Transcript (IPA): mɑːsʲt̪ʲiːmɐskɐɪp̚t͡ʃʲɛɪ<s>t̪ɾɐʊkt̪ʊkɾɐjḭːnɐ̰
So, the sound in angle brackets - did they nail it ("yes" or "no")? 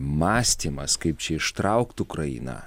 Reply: no